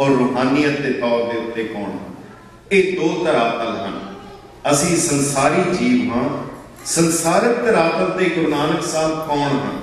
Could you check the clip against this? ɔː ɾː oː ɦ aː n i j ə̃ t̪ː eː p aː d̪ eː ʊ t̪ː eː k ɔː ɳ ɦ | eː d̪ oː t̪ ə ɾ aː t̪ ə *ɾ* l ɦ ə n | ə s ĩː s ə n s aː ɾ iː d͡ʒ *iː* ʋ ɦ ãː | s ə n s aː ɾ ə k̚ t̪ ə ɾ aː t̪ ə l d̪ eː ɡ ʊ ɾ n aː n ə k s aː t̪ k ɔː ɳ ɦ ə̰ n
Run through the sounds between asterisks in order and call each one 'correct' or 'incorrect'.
incorrect: none, correct

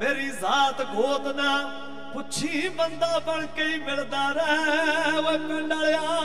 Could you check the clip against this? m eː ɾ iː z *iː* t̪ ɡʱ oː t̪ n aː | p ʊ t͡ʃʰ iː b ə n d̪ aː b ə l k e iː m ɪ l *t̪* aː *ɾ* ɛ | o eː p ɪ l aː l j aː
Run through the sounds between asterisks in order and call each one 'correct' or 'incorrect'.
incorrect: aː, incorrect: d̪, correct

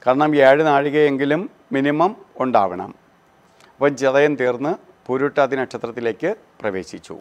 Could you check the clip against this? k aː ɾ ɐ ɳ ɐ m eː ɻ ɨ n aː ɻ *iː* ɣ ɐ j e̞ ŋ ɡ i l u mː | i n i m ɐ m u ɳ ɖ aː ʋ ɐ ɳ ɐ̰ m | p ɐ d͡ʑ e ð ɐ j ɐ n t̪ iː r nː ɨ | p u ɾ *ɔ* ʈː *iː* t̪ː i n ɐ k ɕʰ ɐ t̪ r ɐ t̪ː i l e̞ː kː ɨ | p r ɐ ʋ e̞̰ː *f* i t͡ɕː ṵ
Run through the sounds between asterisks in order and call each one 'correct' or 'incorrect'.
incorrect: i, incorrect: u, incorrect: aː, incorrect: ɕ

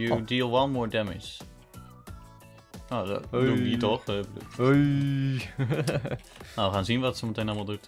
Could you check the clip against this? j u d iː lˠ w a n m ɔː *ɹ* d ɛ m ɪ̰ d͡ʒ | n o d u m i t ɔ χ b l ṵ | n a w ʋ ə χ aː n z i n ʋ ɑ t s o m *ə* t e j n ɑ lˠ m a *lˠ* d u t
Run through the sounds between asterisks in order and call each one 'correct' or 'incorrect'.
correct, correct, correct

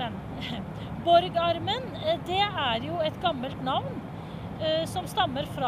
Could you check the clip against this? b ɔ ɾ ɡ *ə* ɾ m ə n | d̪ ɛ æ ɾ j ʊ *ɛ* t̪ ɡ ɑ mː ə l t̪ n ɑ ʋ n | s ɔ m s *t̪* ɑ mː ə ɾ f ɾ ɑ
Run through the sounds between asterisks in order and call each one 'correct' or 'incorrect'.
incorrect: ɑ, correct, correct

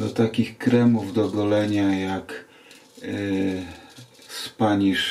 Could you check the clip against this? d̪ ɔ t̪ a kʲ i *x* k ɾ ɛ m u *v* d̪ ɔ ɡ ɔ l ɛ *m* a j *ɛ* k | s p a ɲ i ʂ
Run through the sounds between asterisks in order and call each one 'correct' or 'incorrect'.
correct, correct, incorrect: ɲ, incorrect: a

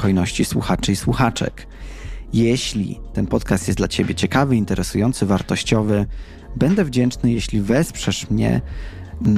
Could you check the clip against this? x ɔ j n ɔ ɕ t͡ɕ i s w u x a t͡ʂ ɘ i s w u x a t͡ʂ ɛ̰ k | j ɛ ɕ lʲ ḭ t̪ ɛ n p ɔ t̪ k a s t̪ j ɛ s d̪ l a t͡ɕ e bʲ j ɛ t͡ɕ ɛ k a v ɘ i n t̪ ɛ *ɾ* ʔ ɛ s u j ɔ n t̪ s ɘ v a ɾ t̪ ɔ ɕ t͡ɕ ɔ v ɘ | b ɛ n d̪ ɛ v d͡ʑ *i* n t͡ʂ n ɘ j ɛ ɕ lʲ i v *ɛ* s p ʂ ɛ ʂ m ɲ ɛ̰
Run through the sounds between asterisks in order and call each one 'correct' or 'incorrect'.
correct, incorrect: ɛ, correct

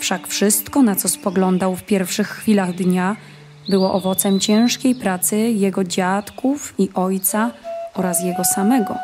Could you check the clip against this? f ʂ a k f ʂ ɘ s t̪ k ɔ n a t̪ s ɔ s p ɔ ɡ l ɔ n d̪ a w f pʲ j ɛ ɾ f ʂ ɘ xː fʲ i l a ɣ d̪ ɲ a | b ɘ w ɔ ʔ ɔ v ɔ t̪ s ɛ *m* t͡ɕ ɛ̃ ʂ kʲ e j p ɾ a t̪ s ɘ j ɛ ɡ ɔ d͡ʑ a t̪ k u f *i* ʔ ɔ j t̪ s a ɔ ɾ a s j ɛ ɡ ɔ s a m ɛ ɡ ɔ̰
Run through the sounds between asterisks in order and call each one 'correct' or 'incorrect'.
correct, correct

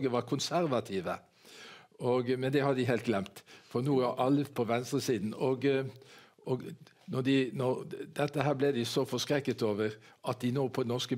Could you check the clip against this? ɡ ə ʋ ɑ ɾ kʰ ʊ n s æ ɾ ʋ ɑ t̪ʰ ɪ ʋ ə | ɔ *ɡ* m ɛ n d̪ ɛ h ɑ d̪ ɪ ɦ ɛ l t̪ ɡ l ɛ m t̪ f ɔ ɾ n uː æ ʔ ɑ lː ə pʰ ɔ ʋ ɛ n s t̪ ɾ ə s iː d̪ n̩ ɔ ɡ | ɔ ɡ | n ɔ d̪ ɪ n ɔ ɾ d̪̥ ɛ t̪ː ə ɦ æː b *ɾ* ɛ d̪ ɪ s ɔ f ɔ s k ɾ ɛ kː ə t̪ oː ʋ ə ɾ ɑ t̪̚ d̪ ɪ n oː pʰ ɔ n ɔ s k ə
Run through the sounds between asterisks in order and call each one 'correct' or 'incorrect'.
correct, incorrect: l

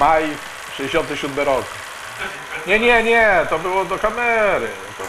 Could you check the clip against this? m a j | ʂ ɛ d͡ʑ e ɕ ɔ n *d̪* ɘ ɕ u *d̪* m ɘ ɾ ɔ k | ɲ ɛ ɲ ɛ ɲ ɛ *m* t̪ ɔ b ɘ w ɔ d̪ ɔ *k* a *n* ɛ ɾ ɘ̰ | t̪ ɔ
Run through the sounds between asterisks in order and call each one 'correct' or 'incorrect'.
incorrect: t̪, correct, incorrect: none, correct, incorrect: m

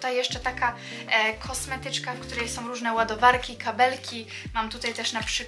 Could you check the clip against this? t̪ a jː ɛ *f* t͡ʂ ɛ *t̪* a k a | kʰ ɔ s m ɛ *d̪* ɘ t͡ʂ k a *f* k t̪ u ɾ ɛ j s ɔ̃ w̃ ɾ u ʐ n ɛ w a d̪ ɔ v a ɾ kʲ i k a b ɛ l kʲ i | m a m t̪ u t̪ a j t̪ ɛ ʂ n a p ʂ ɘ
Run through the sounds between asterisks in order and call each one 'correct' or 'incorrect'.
incorrect: ʂ, correct, incorrect: t̪, correct

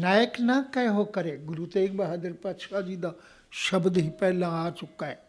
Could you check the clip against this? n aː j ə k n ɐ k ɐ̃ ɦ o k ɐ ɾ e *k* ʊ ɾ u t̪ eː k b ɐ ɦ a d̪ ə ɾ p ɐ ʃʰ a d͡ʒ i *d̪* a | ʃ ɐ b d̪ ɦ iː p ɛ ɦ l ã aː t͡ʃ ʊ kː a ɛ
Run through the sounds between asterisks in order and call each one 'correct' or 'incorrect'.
incorrect: ɡ, correct

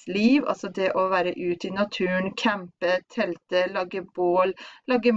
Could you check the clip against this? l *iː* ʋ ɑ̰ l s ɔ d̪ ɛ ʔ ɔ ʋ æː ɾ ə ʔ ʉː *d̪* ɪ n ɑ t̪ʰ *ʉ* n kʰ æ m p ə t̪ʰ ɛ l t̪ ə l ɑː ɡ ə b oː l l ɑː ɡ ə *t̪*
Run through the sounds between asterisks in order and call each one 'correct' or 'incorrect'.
correct, incorrect: t̪, incorrect: ʉː, incorrect: none

